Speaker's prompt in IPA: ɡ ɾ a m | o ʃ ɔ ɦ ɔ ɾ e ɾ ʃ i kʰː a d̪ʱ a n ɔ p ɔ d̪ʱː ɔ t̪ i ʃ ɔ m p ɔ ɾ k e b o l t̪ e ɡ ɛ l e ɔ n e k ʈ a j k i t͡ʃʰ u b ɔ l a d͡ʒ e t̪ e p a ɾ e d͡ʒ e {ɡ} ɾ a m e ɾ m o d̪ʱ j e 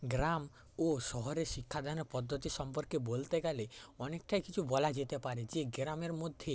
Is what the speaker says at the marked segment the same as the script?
yes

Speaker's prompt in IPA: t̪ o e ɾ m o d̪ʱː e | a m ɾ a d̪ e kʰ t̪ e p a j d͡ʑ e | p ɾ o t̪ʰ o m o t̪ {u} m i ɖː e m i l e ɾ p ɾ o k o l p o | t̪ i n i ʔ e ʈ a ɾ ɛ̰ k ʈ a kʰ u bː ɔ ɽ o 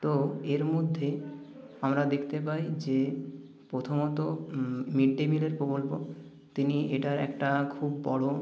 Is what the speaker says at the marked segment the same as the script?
no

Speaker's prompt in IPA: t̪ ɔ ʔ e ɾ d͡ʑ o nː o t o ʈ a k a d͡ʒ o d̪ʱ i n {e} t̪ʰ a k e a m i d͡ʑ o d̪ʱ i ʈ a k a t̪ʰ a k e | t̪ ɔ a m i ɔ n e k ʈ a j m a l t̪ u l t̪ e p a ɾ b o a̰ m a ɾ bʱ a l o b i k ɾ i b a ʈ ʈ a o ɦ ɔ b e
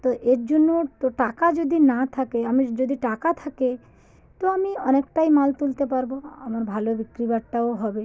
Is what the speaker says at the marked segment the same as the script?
no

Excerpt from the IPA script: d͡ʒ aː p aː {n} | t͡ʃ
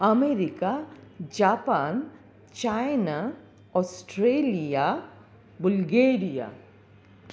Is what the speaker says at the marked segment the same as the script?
yes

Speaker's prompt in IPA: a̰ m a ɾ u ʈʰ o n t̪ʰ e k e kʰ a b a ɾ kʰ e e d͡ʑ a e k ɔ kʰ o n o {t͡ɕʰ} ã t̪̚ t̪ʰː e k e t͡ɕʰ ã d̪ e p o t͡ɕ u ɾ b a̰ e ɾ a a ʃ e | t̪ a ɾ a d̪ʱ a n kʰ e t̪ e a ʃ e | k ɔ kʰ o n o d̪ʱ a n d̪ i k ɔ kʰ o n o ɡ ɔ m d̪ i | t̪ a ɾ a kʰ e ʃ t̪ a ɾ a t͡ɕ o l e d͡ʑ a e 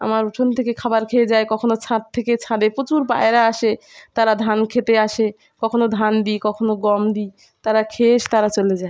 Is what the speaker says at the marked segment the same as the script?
yes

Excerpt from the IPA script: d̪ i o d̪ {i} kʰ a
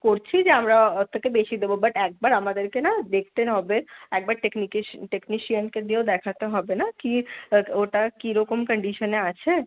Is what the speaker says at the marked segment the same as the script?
no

